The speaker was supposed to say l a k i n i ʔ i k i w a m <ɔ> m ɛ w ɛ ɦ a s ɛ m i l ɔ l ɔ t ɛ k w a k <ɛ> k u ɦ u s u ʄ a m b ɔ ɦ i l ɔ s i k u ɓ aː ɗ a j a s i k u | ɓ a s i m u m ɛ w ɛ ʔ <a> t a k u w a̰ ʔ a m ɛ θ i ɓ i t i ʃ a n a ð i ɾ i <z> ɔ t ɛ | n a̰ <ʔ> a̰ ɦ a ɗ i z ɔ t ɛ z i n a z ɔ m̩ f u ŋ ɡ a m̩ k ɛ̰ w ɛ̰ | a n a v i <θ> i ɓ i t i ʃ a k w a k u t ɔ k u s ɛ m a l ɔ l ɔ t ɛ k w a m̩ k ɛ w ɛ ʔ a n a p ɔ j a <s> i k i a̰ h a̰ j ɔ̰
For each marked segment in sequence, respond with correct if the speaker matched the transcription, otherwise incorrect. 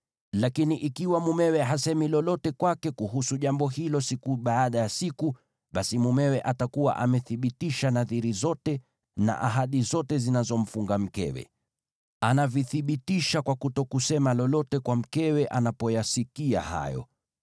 incorrect: u, correct, correct, correct, correct, correct, correct

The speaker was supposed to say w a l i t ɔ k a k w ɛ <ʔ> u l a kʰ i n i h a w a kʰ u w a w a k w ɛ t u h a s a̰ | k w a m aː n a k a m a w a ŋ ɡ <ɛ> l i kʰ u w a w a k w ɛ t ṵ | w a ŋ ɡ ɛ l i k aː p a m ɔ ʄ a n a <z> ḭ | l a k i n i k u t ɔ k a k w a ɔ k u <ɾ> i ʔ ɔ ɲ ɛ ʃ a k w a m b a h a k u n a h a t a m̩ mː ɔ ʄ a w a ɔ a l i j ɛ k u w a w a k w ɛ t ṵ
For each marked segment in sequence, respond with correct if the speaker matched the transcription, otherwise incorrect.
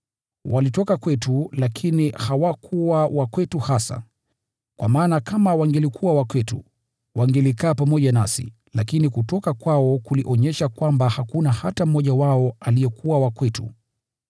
incorrect: t, correct, incorrect: s, incorrect: l

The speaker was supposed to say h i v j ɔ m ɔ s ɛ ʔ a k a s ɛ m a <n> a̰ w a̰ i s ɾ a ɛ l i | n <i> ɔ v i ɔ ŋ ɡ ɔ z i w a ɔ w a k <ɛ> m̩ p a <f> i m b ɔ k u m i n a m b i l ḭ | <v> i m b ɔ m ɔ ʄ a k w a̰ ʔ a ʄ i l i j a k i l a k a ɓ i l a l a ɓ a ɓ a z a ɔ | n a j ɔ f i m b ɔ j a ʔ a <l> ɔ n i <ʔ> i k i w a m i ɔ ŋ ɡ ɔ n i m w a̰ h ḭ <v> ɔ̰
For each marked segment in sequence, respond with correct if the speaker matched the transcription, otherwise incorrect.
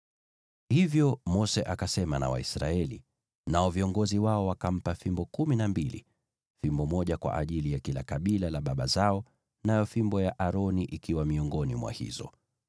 correct, incorrect: a, incorrect: a, correct, incorrect: f, incorrect: ɾ, correct, incorrect: z

